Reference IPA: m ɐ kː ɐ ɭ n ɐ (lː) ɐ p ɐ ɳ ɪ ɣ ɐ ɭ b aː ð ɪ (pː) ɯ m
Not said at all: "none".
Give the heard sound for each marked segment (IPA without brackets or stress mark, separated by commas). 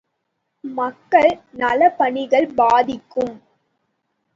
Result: l, kː